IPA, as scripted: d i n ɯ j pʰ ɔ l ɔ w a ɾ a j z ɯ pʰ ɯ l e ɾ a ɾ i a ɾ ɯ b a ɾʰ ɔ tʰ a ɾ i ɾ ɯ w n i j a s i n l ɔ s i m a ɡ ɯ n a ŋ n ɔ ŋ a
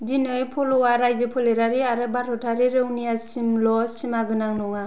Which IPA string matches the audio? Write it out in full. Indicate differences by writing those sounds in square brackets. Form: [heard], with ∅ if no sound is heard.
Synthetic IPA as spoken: d i n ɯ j pʰ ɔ l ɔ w a ɾ a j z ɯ pʰ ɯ l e ɾ a ɾ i a ɾ ɯ b a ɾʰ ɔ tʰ a ɾ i ɾ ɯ w n i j a s i [m] l ɔ s i m a ɡ ɯ n a ŋ n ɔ ŋ a